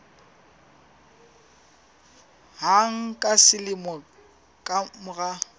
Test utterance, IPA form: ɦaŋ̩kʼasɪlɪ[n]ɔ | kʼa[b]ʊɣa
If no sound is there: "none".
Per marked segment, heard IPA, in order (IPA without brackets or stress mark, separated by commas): m, m